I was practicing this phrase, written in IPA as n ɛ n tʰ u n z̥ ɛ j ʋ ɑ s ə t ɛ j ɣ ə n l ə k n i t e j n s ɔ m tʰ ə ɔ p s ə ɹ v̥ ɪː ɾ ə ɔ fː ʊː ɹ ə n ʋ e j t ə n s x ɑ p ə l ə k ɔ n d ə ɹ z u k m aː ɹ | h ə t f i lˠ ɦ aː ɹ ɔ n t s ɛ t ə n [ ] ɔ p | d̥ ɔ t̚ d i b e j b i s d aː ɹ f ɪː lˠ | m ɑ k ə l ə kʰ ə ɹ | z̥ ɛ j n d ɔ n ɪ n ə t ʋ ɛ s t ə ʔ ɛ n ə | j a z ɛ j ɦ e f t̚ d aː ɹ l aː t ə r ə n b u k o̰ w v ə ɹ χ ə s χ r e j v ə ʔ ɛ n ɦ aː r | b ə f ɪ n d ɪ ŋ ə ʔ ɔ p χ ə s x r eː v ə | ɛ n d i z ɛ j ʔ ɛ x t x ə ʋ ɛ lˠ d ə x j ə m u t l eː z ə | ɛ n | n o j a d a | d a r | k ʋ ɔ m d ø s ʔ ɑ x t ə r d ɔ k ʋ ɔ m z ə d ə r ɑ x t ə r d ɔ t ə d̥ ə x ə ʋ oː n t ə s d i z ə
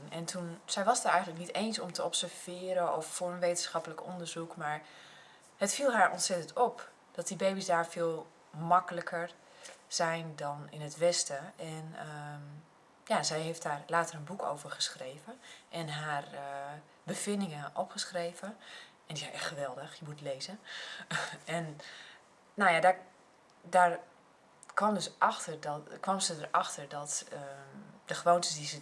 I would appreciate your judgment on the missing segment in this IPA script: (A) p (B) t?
B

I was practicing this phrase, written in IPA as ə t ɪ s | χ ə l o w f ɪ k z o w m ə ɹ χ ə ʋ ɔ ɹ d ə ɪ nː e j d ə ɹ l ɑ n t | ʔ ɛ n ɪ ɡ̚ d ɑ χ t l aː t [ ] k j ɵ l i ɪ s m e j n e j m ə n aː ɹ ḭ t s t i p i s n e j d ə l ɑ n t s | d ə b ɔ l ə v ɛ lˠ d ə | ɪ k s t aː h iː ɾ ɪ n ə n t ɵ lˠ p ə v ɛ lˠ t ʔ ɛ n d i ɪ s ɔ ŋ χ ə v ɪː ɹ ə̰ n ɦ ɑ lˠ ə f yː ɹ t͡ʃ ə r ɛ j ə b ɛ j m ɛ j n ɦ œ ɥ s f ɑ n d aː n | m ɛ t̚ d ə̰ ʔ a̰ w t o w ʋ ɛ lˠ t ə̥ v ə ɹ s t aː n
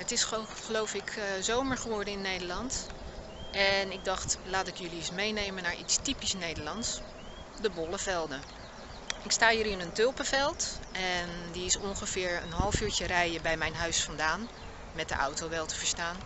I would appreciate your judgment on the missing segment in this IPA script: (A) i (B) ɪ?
B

